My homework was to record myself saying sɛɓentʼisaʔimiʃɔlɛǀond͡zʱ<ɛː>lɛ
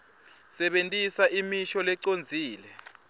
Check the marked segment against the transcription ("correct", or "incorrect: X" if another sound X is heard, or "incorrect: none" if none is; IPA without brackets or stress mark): incorrect: iː